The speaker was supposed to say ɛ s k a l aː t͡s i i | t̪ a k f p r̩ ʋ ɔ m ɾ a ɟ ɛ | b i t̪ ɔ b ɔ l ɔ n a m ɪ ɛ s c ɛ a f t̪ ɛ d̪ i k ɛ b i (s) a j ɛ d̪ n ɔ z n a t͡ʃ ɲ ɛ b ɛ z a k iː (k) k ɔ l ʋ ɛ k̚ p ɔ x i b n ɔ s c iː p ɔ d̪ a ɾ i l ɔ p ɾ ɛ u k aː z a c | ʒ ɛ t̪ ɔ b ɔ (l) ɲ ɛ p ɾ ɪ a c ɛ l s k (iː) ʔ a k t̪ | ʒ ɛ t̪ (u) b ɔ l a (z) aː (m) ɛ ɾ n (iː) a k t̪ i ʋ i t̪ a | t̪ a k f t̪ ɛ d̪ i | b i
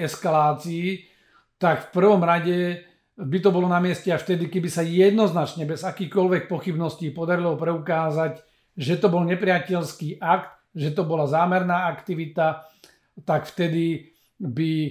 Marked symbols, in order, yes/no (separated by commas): yes, no, yes, yes, no, yes, yes, no